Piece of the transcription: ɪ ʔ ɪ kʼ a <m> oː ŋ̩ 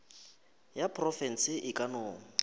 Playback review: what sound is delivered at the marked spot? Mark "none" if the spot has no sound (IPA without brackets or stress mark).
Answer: n